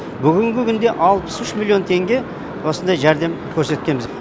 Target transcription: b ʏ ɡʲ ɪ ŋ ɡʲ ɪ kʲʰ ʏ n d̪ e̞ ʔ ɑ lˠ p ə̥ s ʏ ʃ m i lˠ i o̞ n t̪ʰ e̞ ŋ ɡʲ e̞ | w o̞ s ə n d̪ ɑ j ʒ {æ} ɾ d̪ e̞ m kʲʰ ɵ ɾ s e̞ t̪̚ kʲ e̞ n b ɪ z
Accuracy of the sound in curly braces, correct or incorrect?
correct